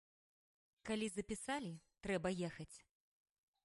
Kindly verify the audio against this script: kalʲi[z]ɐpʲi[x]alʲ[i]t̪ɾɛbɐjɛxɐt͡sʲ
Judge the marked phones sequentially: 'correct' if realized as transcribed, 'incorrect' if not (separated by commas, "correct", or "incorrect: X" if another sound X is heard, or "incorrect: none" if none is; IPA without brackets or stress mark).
correct, incorrect: s, correct